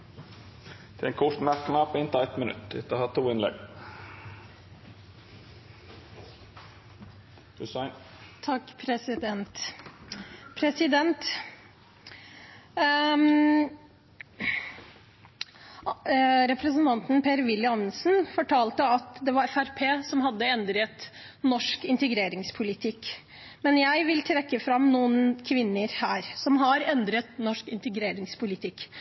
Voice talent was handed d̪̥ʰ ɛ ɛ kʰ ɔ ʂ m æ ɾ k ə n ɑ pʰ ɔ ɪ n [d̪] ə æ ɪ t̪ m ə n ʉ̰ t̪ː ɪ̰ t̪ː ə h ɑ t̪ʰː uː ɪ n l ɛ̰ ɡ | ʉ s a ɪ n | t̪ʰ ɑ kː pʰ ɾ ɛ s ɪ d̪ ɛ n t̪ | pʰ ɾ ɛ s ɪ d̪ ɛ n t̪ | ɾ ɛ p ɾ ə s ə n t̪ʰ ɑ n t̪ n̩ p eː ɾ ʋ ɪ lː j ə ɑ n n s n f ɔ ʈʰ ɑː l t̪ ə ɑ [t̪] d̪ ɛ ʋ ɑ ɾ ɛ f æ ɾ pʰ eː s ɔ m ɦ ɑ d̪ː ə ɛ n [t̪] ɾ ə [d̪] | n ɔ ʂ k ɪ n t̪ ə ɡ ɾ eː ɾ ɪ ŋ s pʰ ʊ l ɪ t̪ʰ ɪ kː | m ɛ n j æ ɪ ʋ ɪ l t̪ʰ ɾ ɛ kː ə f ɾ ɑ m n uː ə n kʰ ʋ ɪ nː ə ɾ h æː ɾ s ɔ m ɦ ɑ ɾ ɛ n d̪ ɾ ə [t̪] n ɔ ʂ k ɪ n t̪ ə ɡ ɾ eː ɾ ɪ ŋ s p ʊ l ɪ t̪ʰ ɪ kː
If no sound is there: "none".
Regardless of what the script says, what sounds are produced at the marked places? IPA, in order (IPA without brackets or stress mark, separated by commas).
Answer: t̪, t̪, d̪, t̪, t̪